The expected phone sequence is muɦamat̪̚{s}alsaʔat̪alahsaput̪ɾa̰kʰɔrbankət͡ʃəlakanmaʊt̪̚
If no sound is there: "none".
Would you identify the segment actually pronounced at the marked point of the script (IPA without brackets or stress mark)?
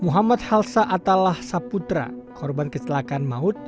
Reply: h